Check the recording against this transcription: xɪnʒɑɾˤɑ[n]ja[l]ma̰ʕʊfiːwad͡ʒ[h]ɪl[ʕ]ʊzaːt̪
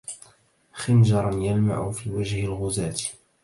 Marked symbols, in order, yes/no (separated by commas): yes, yes, yes, no